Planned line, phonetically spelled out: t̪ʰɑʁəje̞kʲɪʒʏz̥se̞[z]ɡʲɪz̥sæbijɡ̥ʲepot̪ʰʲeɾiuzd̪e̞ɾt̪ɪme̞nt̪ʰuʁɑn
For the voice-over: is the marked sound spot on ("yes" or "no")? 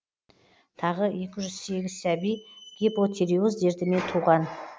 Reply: no